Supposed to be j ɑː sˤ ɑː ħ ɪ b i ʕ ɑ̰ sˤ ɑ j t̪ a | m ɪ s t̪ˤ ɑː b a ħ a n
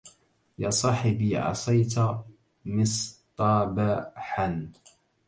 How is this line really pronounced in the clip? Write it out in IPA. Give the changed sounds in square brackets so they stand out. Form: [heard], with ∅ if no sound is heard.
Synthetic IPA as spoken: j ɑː sˤ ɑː ħ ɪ b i ʕ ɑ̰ sˤ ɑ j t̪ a | m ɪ s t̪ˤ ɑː b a ħ a n